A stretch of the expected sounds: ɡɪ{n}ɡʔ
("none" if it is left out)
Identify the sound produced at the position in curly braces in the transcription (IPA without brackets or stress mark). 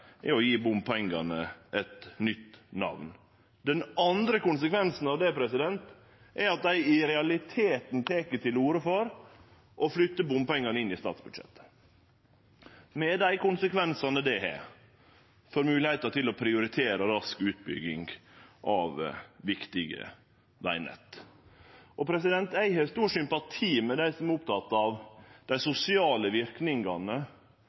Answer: ŋ